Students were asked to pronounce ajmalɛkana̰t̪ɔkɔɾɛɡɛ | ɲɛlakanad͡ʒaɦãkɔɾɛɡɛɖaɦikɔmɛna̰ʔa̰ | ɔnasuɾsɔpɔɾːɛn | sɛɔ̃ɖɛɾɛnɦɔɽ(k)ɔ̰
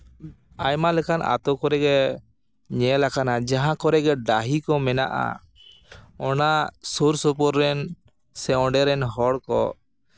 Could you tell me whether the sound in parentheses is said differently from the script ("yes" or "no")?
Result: no